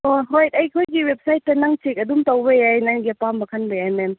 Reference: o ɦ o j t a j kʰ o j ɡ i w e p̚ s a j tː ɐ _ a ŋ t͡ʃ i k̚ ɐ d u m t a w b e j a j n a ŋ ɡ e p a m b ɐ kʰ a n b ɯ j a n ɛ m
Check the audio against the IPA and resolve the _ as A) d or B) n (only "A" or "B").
B